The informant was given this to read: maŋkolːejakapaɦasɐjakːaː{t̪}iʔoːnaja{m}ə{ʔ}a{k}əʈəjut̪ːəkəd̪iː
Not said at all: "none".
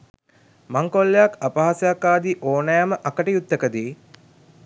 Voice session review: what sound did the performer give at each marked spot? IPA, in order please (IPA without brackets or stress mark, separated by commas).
d̪, m, ʔ, k